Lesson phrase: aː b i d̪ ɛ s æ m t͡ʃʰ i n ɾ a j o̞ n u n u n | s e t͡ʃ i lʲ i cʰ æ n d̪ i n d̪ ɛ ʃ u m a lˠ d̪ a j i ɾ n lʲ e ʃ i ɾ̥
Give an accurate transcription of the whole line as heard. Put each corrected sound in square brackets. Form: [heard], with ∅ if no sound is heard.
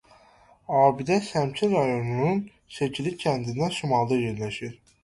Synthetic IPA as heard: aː b i d̪ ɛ s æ m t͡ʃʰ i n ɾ a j o̞ n u n u n | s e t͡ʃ i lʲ i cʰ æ n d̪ i n d̪ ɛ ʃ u m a lˠ d̪ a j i ɾ n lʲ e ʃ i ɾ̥

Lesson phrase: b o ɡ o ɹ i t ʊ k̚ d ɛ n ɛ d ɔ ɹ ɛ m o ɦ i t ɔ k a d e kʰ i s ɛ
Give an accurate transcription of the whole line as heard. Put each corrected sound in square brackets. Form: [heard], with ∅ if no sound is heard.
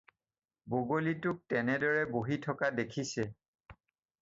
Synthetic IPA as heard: b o ɡ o [l] i t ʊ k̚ [t] ɛ n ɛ d ɔ ɹ ɛ [b] o ɦ i [tʰ] ɔ k a d e kʰ i s ɛ

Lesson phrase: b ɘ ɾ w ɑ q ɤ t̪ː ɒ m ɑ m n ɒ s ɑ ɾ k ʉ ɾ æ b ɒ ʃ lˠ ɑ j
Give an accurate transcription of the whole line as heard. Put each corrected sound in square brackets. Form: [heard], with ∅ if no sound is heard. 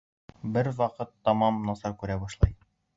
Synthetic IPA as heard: b ɘ ɾ w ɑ q ɤ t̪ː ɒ m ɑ m n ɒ s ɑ ɾ k ʉ ɾ æ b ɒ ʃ lˠ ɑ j

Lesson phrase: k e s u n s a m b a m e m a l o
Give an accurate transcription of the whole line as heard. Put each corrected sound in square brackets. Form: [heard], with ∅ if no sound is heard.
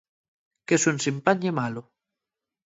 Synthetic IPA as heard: k e s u n s [i] m [p] a [ɲ] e m a l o

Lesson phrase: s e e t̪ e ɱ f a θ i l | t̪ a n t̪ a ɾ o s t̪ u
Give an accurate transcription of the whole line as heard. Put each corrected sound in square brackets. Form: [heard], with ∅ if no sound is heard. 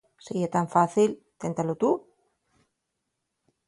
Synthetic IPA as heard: s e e t̪ [a] ɱ f a θ i l | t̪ [e] n t̪ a [l] o [∅] t̪ u

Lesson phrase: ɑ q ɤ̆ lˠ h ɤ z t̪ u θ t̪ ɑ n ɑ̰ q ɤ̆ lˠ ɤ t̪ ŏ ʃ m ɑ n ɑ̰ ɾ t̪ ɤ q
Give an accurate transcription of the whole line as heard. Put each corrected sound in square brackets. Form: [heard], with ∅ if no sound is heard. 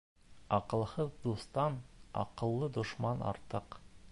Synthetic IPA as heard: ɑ q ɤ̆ lˠ h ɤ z [d̪] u [s] t̪ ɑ n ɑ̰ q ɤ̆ [lˠː] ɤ [d̪] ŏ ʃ m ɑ n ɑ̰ ɾ t̪ ɤ q

